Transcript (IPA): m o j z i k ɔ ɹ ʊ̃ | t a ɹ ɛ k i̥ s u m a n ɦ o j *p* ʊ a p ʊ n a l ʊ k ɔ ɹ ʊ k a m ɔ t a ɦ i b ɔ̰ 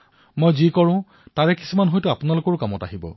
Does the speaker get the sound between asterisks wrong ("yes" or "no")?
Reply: yes